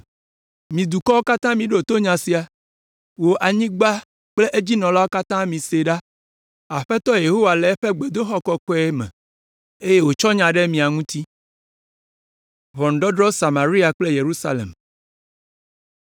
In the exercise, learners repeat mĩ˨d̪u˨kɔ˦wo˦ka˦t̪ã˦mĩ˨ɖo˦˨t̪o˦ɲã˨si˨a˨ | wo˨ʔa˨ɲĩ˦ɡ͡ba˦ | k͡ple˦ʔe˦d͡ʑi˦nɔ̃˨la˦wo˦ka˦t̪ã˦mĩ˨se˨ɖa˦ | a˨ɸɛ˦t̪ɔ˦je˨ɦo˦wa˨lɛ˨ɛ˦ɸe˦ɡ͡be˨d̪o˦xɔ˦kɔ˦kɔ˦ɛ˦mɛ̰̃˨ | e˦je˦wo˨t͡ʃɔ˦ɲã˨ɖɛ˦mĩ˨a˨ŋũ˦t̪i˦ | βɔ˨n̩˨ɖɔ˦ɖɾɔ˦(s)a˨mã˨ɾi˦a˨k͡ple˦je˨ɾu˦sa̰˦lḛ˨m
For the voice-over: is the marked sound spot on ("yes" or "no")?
yes